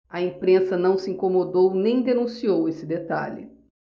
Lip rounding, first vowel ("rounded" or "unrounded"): unrounded